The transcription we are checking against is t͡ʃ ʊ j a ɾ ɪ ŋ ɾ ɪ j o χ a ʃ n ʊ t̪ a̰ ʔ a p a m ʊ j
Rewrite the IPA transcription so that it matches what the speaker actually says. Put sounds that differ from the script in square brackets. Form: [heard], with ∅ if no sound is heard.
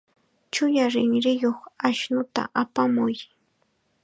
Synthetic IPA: t͡ʃ ʊ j a ɾ ɪ ŋ ɾ ɪ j o χ a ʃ n ʊ t̪ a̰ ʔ a p a m ʊ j